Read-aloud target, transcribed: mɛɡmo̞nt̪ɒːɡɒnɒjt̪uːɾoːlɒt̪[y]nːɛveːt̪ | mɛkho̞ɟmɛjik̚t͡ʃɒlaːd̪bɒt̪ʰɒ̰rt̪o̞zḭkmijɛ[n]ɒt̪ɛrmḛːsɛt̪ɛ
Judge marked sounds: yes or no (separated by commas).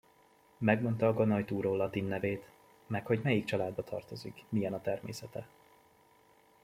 no, yes